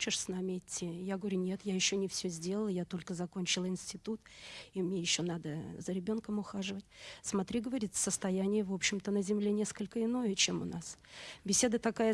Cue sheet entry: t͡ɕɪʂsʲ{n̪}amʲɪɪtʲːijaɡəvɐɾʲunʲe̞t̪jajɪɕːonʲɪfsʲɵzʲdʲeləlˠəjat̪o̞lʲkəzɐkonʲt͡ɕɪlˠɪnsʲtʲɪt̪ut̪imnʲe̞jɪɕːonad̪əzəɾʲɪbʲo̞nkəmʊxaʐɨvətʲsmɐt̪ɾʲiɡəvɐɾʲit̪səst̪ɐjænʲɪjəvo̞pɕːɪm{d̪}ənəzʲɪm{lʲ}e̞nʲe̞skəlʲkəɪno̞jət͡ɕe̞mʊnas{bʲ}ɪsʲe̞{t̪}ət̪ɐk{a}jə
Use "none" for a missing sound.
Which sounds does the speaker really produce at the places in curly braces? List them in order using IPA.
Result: n̪, t̪, lʲ, bʲ, d̪, a

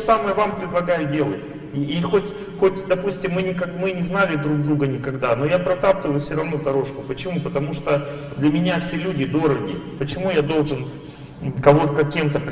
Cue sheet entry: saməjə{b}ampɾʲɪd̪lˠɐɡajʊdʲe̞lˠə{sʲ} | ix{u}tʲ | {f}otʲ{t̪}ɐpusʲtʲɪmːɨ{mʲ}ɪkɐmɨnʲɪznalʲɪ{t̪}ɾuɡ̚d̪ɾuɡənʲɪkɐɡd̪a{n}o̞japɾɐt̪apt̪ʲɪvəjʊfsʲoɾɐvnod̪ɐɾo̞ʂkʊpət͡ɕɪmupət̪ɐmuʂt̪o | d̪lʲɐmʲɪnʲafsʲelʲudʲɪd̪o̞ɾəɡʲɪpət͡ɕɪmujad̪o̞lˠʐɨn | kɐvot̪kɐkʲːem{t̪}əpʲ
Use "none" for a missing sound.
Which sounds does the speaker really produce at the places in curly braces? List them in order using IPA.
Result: v, tʲ, o, x, d̪, nʲ, d̪, n, t̪

